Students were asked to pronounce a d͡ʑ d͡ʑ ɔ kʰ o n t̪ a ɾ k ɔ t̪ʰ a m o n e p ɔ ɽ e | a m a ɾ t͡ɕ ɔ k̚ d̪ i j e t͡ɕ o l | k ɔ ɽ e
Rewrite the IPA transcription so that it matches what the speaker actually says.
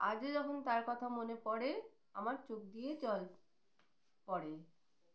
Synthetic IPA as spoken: a d͡ʑ d͡ʑ ɔ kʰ o n t̪ a ɾ k ɔ t̪ʰ a m o n e p ɔ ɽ e | a m a ɾ t͡ɕ o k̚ d̪ i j e t͡ɕ ɔ l | p ɔ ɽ e

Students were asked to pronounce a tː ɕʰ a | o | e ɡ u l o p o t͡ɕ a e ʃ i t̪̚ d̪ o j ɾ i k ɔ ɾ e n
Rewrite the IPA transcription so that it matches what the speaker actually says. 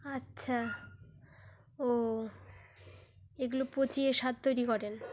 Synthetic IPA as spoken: a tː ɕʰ a | o | e ɡ u l o p o t͡ɕ i e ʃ a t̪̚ t̪ o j ɾ i k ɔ ɾ e n

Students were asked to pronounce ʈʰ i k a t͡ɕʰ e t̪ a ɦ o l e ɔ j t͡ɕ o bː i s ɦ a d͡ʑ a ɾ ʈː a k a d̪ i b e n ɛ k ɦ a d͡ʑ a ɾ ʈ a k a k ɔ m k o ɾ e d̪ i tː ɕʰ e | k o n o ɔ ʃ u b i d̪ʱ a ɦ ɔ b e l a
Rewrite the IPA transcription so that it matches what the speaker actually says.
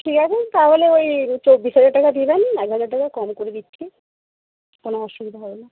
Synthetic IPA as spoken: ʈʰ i k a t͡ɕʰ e t̪ a ɦ o l e o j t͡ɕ o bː i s ɦ a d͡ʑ a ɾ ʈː a k a d̪ i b e n ɛ k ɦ a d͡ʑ a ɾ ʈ a k a k ɔ m k o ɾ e d̪ i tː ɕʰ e | k o n o ɔ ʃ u b i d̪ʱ a ɦ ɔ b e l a

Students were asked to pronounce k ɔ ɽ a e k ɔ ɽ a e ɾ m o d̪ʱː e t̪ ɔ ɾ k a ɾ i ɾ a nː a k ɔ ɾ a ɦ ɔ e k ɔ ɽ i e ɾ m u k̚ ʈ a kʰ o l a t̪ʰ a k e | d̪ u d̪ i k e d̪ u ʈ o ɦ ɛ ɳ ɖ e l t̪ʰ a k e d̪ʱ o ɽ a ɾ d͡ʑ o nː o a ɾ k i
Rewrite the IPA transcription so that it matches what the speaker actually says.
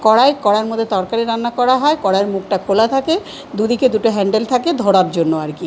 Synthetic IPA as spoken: k ɔ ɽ a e k ɔ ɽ a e ɾ m o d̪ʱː e t̪ ɔ ɾ k a ɾ i ɾ a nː a k ɔ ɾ a ɦ ɔ e k ɔ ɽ a e ɾ m u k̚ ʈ a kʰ o l a t̪ʰ a k e | d̪ u d̪ i k e d̪ u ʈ o ɦ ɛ ɳ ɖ e l t̪ʰ a k e d̪ʱ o ɽ a ɾ d͡ʑ o nː o a ɾ k i

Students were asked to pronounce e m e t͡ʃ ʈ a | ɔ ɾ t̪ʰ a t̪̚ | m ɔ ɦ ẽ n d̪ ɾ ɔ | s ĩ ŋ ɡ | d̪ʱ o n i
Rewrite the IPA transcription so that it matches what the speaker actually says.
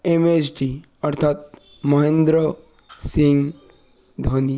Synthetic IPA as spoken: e m e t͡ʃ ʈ i | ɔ ɾ t̪ʰ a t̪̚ | m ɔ ɦ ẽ n d̪ ɾ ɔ | s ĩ ŋ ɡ | d̪ʱ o n i

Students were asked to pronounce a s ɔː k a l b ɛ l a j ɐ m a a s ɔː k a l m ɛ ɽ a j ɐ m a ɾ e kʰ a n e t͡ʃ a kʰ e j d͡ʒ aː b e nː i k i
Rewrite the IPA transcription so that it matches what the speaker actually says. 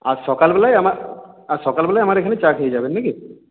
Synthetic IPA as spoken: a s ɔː k a l b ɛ l a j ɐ m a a s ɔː k a l b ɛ l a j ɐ m a ɾ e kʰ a n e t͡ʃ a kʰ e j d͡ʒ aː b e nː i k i

